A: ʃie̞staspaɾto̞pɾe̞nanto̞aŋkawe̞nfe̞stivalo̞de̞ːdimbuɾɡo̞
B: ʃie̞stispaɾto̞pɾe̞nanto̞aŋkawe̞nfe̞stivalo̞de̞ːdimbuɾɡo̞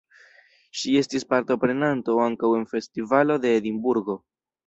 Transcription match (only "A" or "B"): B